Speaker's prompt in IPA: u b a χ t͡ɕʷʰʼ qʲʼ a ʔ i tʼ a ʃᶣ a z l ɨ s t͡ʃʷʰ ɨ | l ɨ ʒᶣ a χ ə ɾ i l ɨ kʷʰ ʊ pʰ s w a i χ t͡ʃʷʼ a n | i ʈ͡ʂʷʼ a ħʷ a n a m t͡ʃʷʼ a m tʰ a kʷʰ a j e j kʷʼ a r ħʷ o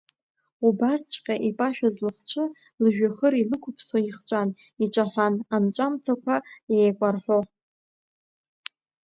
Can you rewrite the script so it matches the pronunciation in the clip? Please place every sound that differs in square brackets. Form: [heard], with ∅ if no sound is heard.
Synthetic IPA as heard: u b a [s] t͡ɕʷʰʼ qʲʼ a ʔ i [pʼ] a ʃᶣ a z l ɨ [χ] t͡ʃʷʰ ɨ | l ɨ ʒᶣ a χ ə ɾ i l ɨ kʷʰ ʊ pʰ s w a i χ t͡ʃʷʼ a n | i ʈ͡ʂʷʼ a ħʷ a n a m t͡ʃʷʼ a m tʰ a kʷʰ a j e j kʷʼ a r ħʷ o